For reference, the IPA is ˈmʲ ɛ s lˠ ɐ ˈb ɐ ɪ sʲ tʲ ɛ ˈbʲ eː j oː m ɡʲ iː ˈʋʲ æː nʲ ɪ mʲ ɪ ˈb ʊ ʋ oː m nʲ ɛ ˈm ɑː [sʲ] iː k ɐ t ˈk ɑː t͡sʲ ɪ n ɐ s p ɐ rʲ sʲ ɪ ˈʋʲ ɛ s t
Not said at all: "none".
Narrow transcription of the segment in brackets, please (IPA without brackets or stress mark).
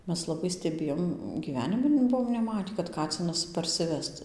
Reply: tʲ